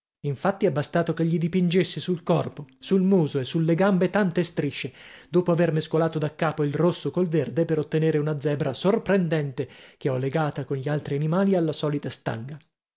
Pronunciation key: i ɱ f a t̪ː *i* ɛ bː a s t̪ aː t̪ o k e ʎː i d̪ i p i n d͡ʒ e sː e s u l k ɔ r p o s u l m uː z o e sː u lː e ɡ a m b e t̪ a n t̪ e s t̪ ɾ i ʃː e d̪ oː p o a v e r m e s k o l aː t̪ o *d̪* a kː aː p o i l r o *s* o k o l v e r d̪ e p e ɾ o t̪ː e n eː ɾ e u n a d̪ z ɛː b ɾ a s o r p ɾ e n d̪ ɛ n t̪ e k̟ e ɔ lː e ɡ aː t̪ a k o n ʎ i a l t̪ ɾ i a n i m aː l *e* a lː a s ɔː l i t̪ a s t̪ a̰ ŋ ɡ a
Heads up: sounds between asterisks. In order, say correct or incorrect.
correct, correct, incorrect, incorrect

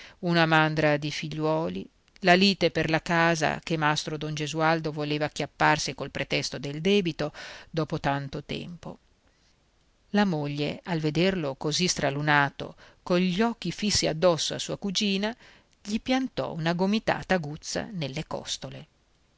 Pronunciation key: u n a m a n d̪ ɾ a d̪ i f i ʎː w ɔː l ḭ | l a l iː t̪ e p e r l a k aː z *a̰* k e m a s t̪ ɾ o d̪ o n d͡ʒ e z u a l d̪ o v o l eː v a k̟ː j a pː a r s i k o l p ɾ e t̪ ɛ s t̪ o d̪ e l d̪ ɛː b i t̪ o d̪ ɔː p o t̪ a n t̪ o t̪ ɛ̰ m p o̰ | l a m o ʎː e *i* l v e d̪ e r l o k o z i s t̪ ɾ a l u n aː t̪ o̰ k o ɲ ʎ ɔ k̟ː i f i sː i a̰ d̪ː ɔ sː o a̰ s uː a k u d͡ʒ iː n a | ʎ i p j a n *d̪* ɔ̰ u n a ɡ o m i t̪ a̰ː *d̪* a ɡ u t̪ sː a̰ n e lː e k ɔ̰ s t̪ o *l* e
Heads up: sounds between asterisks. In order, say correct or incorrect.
correct, incorrect, incorrect, incorrect, correct

